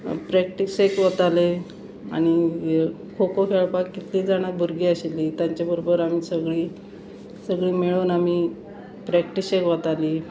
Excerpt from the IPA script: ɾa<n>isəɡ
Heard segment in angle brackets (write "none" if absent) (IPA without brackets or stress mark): m